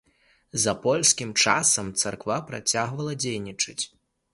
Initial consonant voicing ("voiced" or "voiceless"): voiced